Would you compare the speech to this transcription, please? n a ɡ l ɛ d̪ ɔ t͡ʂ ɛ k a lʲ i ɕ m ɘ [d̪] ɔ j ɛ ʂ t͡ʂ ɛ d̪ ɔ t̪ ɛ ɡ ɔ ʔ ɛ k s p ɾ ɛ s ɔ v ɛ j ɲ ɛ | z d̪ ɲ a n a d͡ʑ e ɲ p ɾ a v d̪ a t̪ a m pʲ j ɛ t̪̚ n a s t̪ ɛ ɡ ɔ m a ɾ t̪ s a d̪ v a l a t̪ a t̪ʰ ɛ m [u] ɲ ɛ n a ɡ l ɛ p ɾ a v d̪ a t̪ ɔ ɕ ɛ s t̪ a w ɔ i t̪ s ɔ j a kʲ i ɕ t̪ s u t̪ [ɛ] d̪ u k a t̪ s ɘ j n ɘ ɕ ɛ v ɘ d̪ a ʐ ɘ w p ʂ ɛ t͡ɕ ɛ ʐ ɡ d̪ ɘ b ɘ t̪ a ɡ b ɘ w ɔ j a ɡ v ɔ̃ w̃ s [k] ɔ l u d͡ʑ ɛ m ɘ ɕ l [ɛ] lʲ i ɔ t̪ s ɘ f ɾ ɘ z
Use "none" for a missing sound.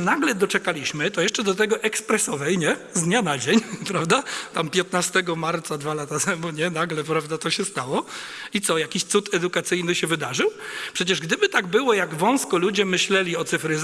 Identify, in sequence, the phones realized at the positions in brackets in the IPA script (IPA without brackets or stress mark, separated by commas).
t̪, u, ɛ, k, ɛ